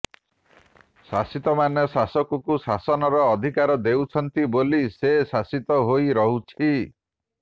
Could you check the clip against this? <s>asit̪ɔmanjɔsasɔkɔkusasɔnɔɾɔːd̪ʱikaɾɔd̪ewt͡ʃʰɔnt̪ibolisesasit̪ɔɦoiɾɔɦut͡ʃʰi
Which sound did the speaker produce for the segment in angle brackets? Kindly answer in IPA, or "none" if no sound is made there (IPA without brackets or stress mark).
s